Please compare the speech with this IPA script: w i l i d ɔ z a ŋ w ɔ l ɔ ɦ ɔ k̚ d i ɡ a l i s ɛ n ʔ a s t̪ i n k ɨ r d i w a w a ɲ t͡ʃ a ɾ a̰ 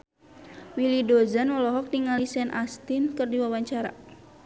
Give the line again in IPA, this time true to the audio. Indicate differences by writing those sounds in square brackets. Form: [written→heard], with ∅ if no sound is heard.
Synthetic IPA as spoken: w i l i d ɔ z a [ŋ→n] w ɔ l ɔ ɦ ɔ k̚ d i [ɡ→ŋ] a l i s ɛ n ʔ a s t̪ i n k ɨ r d i w a w a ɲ t͡ʃ a ɾ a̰